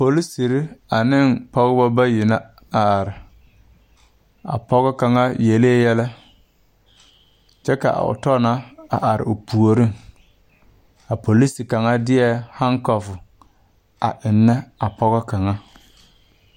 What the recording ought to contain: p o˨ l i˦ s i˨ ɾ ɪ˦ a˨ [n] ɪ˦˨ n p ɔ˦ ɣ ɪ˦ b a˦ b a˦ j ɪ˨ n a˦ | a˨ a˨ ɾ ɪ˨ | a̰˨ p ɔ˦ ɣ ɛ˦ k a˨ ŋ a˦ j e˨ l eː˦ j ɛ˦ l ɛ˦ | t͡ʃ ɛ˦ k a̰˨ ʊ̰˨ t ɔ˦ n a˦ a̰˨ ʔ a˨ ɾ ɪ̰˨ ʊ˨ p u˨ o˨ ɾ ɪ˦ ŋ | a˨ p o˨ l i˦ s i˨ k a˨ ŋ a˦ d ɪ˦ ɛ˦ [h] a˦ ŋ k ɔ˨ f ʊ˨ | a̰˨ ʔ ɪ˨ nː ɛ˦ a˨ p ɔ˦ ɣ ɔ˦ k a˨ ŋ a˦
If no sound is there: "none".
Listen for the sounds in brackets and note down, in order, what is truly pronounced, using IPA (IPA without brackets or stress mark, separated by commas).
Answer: n, h